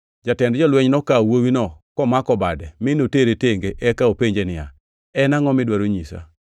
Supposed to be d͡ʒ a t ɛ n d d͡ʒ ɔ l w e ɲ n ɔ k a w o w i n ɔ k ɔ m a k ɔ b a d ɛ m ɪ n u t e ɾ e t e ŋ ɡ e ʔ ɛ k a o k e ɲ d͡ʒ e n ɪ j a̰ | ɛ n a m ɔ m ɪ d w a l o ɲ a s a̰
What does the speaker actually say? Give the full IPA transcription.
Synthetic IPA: d͡ʒ a t ɛ n d d͡ʒ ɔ l w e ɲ n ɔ k a w o w i n ɔ k ɔ m a k ɔ b a d ɛ m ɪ n o t e ɾ e t e ŋ ɡ e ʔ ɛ k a o p e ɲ d͡ʒ e n ɪ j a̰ | ɛ n a ŋ ɔ m ɪ d w a ɾ o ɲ i s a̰